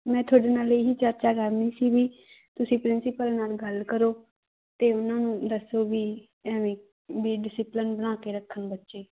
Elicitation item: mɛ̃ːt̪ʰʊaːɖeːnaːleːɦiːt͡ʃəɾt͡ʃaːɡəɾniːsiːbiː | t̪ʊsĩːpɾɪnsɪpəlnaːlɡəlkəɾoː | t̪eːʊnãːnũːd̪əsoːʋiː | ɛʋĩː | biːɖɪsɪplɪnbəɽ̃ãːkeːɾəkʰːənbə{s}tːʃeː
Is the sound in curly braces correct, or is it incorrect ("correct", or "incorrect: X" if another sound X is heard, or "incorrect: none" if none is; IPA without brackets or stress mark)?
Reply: incorrect: none